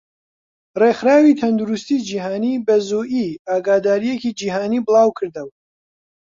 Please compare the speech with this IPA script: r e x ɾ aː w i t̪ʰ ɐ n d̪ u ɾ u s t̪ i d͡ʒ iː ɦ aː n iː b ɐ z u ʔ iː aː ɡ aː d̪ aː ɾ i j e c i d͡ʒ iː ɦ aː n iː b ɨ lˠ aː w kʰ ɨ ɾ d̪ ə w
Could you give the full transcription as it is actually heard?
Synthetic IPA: r e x ɾ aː w i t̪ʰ ɐ n d̪ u ɾ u s t̪ i d͡ʒ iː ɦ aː n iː b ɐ z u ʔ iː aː ɡ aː d̪ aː ɾ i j e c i d͡ʒ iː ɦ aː n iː b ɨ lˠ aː w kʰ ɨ ɾ d̪ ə w